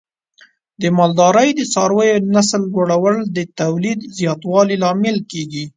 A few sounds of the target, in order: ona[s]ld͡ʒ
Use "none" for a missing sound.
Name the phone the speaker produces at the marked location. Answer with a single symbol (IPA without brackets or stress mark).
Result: s